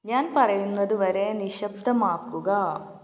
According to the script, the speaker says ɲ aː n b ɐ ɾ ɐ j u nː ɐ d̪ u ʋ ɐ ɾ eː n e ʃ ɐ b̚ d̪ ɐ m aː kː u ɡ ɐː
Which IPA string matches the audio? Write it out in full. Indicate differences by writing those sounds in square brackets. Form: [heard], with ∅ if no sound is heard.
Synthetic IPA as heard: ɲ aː n [p] ɐ ɾ ɐ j u nː ɐ d̪ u ʋ ɐ ɾ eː n [i] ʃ ɐ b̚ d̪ ɐ m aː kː u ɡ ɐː